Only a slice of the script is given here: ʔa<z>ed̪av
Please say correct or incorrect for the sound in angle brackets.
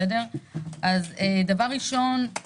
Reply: correct